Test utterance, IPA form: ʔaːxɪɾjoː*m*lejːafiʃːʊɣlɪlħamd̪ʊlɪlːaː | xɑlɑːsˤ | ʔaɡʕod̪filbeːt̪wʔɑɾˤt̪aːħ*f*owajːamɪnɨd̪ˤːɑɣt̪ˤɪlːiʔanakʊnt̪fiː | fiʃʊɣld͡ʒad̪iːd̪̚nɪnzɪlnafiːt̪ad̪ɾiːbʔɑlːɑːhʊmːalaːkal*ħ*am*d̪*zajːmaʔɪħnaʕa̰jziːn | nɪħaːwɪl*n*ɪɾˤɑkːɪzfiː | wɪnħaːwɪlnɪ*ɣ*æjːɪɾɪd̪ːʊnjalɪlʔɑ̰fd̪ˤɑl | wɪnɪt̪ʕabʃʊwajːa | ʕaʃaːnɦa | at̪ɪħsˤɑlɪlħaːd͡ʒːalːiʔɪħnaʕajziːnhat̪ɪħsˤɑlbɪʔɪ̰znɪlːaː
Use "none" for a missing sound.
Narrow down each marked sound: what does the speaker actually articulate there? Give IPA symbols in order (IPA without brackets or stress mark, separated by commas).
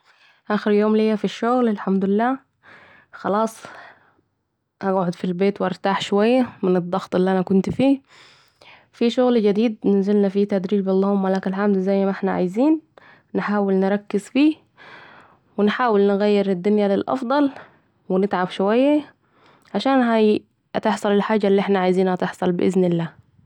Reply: m, ʃ, ħ, d̪, n, ɣ